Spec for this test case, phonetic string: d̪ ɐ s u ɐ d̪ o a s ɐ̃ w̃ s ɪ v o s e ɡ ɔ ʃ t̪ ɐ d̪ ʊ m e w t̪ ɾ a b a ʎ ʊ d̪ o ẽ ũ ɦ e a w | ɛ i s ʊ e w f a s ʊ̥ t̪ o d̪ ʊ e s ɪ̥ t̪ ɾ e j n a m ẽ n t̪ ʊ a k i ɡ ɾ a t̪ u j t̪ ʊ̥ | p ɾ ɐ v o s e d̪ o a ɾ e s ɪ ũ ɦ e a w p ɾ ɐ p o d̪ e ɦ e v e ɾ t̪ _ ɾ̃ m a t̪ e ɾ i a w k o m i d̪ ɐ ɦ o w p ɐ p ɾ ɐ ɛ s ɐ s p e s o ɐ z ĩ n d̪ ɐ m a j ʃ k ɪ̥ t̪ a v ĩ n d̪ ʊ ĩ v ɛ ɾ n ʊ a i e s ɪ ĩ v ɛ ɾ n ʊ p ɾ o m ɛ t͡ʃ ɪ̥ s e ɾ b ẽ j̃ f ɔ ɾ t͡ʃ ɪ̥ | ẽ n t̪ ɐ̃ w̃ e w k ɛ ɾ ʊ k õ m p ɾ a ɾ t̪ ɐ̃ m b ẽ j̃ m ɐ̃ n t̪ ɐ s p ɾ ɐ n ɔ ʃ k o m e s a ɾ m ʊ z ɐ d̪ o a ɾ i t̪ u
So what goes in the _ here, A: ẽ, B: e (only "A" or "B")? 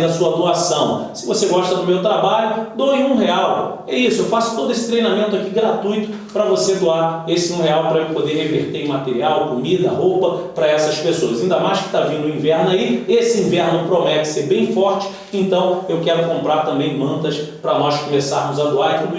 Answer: B